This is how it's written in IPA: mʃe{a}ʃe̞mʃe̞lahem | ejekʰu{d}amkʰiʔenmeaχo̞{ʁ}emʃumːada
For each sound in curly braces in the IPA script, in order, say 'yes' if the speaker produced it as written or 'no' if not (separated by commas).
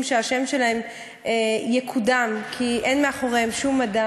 yes, yes, yes